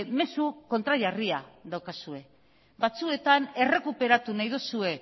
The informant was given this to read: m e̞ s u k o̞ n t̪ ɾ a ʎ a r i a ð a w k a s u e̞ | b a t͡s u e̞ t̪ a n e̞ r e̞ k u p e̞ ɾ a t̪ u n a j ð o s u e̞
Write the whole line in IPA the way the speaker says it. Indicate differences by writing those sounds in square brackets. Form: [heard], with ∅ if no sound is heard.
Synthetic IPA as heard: m e̞ s u k o̞ n t̪ ɾ a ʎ a r i a ð a w k a s u e̞ | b a t͡s u e̞ t̪ a n e̞ r e̞ k u p e̞ ɾ a t̪ u n a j ð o s u e̞